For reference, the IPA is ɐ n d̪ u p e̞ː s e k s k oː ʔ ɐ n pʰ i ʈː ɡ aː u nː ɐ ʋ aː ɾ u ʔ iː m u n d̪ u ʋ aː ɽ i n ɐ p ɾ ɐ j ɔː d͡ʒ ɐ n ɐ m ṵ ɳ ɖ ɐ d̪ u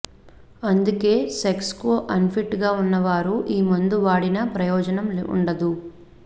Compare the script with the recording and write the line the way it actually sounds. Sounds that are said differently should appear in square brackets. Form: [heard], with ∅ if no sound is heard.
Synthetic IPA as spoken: ɐ n d̪ u [k] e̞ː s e k s k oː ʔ ɐ n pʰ i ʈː ɡ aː u nː ɐ ʋ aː ɾ u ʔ iː m u n d̪ u ʋ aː ɽ i n ɐ p ɾ ɐ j ɔː d͡ʒ ɐ n ɐ m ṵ ɳ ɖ ɐ d̪ u